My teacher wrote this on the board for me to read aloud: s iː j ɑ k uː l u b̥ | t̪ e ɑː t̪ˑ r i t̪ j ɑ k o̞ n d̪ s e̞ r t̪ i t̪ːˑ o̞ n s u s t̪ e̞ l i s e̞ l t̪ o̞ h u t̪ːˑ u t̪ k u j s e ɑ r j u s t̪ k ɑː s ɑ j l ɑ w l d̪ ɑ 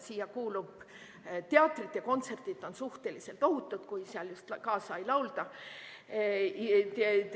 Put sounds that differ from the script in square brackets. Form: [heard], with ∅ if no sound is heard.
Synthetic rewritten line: s iː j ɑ k uː l u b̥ | t̪ e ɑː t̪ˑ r i t̪ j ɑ k o̞ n [t̪] s e̞ r t̪ i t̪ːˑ o̞ n s u [h] t̪ e̞ l i s e̞ l t̪ o̞ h u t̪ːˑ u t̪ k u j s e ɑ [l] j u s t̪ k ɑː s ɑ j l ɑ w l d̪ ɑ